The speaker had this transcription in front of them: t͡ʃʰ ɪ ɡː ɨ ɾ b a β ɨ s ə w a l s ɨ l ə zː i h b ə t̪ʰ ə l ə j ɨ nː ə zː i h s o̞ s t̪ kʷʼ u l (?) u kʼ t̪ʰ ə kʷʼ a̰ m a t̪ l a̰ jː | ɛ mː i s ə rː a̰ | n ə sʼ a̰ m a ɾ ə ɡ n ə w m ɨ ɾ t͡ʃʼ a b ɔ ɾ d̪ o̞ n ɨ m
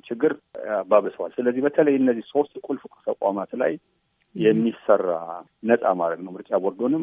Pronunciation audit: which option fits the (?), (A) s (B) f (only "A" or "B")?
B